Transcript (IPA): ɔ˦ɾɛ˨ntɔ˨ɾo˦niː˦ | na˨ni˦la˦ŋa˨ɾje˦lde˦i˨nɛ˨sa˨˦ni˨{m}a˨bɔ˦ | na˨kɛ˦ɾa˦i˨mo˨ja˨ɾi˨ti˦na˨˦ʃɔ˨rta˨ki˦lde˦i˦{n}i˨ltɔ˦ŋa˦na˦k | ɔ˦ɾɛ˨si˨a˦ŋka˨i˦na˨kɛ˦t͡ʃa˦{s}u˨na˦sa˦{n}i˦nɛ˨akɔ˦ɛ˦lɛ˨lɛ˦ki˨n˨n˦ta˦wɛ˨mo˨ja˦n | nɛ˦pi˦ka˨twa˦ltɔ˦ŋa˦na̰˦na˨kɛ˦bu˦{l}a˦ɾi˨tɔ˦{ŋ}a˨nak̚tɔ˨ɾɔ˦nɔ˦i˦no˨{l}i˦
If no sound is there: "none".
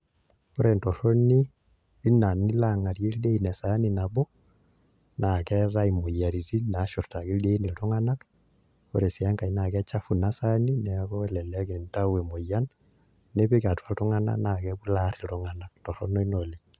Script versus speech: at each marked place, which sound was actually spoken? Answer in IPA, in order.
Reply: n, n, f, n, l, ŋ, l

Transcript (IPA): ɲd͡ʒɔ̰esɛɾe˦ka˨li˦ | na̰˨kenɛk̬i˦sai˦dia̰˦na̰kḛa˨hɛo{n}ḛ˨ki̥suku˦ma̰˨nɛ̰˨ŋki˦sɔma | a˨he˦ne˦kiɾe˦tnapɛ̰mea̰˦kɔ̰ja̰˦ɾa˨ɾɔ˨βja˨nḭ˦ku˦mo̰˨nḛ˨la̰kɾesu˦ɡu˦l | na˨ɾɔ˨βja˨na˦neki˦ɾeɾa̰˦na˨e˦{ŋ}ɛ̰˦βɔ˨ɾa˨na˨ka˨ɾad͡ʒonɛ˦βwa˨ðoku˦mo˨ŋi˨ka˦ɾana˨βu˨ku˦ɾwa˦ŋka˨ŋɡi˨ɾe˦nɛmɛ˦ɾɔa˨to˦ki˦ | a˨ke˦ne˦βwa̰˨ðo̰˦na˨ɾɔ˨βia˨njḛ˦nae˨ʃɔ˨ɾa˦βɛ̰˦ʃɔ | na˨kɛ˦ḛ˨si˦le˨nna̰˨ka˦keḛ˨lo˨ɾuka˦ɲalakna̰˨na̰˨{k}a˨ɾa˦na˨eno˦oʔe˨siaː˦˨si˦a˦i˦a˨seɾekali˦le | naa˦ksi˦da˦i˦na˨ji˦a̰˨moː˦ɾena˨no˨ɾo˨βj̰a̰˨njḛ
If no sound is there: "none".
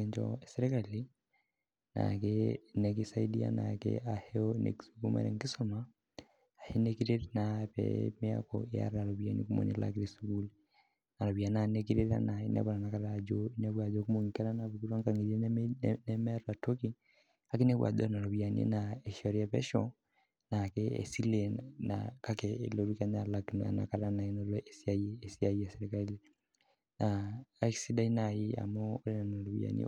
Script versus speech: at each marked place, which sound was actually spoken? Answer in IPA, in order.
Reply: n, n, k

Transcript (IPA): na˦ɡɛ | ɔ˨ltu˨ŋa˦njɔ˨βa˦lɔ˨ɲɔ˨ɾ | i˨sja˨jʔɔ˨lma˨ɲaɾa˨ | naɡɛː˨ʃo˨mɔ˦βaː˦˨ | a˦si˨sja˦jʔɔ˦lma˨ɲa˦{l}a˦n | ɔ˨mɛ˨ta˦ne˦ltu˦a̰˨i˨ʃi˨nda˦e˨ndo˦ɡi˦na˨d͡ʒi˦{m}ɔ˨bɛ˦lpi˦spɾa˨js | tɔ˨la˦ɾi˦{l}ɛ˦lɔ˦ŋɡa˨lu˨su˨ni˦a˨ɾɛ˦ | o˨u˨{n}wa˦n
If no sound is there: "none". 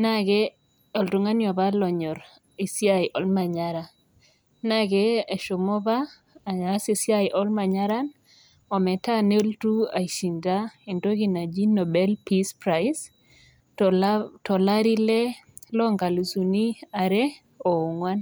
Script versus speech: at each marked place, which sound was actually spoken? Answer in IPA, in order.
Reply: ɾ, n, l, ŋ

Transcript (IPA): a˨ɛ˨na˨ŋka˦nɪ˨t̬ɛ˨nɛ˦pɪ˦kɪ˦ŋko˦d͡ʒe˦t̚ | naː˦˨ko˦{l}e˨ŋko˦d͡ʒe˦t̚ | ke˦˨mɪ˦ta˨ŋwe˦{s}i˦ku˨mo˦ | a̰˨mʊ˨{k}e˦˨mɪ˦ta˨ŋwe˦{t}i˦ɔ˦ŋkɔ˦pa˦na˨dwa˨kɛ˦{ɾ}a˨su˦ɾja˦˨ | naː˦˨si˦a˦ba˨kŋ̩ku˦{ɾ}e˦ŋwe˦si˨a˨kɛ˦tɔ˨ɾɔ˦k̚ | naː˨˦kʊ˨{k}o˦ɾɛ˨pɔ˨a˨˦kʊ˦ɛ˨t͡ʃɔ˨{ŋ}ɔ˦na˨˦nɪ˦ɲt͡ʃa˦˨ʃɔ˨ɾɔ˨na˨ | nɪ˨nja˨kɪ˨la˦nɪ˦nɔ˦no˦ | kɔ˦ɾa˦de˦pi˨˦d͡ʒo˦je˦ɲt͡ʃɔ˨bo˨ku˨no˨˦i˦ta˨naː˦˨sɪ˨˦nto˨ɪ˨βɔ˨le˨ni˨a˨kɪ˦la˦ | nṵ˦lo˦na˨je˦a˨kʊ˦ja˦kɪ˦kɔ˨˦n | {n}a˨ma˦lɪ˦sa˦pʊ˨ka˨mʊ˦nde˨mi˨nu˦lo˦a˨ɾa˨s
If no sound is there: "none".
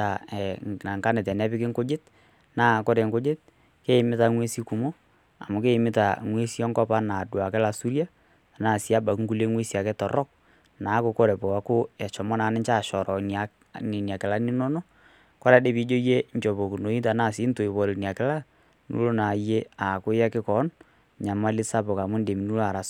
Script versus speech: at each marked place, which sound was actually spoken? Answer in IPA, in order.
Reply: ɾ, s, k, s, l, l, k, m, ɲ

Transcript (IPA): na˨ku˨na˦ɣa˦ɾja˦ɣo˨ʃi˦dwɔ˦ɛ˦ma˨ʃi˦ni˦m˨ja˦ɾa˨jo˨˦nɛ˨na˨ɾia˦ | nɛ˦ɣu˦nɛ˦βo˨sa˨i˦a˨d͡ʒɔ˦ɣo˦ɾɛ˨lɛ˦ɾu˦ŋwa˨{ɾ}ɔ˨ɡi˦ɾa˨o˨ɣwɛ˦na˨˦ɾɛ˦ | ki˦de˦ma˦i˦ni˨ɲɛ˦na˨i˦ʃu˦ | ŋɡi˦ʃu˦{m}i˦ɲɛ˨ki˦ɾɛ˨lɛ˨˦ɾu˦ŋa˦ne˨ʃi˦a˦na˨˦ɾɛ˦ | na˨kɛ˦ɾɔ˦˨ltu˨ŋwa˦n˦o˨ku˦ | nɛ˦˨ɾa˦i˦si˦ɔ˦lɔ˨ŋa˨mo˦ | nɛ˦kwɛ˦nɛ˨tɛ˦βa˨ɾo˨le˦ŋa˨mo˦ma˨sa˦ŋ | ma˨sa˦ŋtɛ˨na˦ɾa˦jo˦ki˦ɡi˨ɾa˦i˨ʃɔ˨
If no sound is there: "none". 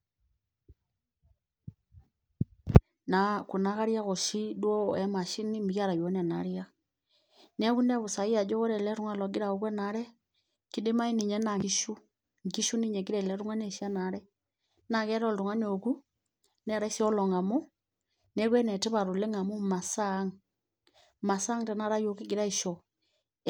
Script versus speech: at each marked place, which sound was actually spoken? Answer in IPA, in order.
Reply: l, n

